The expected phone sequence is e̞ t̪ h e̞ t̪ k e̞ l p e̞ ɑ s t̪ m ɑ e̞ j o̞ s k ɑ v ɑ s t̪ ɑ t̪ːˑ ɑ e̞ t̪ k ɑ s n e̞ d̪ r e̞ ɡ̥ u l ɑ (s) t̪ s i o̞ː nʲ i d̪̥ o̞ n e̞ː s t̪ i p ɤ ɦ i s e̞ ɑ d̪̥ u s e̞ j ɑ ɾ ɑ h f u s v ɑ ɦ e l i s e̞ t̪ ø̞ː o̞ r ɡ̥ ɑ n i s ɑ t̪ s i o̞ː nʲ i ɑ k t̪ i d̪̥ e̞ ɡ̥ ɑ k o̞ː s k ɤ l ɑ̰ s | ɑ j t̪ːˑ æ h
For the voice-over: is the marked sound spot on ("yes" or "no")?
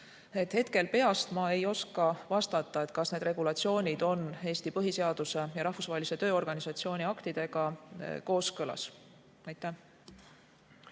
no